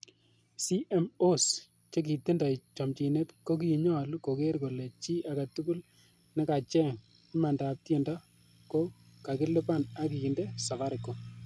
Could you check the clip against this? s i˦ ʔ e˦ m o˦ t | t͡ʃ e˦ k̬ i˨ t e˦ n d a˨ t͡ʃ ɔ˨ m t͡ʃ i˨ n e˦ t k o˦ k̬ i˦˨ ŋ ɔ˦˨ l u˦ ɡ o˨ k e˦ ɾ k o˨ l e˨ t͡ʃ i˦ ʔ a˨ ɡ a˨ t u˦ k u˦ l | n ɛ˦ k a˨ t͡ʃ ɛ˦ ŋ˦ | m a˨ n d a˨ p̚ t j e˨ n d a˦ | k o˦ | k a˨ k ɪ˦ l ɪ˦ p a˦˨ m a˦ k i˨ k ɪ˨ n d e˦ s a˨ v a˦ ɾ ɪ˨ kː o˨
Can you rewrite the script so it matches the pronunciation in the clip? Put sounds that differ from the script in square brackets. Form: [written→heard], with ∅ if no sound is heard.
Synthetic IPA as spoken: s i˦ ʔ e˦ m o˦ [t→s] | t͡ʃ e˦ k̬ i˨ t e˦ n d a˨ t͡ʃ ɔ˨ m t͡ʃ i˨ n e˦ t k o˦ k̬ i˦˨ [ŋ→ɲ] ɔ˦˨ l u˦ [ɡ→k] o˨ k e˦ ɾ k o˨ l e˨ t͡ʃ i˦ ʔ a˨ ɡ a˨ t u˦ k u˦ l | n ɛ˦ k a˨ t͡ʃ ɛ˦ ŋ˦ | m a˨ n d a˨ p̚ t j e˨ n d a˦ | k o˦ | k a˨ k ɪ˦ l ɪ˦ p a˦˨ [m→n] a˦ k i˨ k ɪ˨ n d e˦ s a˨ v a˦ ɾ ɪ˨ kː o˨